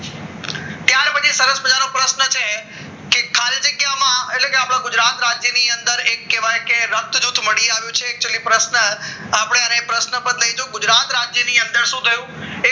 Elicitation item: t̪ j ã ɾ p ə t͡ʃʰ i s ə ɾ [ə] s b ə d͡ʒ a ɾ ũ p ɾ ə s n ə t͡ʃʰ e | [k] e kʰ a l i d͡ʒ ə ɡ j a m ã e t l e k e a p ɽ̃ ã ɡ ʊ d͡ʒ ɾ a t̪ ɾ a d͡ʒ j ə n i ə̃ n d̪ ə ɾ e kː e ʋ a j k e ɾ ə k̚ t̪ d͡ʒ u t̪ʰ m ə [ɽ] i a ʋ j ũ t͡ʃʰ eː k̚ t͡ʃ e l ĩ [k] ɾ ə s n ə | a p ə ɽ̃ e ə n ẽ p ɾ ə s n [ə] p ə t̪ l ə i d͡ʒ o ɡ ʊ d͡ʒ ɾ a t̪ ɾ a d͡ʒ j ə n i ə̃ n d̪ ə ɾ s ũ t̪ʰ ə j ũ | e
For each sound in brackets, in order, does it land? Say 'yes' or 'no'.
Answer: yes, yes, yes, no, yes

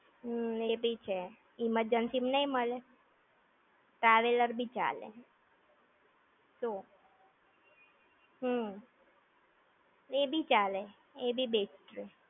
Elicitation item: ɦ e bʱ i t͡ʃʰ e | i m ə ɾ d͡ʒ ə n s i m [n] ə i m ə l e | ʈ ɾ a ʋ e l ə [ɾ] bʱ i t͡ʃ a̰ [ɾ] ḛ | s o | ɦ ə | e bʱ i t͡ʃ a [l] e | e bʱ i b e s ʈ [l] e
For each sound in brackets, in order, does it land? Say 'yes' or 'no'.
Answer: yes, yes, no, yes, no

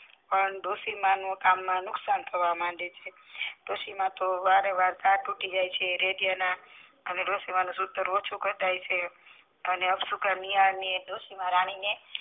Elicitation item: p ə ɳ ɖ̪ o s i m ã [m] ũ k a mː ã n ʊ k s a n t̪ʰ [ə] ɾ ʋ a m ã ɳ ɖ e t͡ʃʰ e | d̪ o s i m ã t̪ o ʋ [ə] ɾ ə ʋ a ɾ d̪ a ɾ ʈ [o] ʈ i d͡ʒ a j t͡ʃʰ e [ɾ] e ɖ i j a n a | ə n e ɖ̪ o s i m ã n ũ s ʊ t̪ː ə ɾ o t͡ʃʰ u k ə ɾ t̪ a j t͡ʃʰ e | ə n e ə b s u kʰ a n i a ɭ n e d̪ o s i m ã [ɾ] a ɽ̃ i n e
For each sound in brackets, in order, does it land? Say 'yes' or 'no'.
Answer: no, yes, no, no, yes, yes

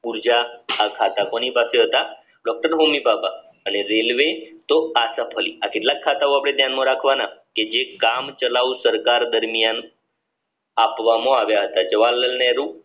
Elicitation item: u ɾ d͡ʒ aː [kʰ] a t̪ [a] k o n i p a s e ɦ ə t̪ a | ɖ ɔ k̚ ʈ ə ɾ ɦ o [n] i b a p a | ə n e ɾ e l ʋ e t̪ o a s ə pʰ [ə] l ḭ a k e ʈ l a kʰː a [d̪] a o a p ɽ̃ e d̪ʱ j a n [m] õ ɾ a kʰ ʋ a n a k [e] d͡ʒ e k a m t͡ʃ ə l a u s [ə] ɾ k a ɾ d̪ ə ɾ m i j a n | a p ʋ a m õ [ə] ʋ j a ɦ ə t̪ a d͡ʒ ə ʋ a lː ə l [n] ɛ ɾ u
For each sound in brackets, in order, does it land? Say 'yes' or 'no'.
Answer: yes, yes, no, yes, no, yes, yes, yes, no, yes

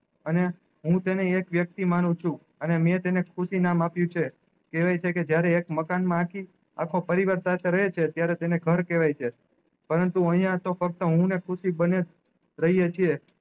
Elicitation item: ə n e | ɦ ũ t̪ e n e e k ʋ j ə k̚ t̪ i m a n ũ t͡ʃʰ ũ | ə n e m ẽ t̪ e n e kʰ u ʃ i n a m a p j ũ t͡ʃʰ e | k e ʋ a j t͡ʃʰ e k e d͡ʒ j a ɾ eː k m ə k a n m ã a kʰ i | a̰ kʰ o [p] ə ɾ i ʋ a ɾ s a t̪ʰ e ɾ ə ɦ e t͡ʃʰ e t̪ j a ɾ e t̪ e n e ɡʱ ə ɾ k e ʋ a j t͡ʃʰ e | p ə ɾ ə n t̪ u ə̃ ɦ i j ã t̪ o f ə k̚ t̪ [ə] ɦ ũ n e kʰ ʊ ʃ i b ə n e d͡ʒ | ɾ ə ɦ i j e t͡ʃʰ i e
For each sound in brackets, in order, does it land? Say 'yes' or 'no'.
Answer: yes, yes

